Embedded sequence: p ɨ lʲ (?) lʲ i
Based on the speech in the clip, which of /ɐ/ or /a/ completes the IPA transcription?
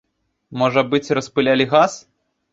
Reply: a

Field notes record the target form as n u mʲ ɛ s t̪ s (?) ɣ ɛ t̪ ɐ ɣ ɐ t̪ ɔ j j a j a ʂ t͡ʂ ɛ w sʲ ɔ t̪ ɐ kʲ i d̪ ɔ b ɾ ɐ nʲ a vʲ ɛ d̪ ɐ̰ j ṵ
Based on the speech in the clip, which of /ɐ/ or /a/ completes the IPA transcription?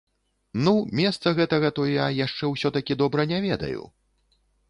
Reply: ɐ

